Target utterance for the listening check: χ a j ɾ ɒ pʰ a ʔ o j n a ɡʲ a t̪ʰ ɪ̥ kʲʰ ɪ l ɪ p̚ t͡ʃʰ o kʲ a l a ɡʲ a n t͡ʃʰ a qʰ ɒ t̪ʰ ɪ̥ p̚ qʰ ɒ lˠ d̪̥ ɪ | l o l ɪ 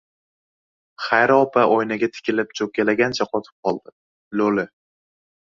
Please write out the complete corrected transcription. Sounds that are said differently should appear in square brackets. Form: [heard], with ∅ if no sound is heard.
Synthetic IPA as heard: χ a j ɾ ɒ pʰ a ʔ o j n a ɡʲ a t̪ʰ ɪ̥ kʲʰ ɪ l ɪ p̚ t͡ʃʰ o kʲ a l a ɡʲ a n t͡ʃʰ a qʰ ɒ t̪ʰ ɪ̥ p̚ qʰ ɒ lˠ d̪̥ ɪ | l o l ɪ